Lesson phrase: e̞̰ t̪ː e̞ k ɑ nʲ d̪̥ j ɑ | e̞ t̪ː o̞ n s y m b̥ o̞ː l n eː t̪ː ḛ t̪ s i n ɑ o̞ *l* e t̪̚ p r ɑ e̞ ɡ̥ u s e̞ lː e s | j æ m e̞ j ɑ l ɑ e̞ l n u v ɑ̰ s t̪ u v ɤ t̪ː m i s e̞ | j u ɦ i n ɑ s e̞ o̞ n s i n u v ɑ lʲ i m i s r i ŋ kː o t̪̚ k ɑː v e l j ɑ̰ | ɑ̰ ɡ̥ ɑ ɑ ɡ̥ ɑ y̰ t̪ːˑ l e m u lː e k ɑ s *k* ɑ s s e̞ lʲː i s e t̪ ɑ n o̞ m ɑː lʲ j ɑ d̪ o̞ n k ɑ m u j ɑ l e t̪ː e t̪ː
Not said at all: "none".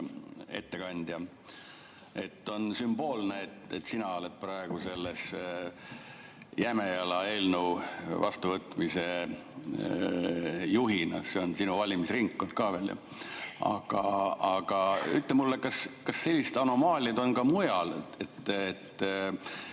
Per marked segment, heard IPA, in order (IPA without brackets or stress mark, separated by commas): l, k